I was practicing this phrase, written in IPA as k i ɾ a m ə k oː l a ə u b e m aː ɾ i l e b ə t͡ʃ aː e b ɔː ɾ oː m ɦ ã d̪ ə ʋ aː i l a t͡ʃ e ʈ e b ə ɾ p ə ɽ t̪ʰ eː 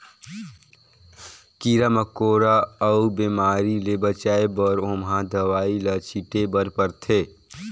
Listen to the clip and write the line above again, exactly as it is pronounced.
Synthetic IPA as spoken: k i ɾ a m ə k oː ɾ a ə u b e m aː ɾ i l e b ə t͡ʃ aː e b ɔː ɾ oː m ɦ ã d̪ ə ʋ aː i l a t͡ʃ i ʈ e b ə ɾ p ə ɾ t̪ʰ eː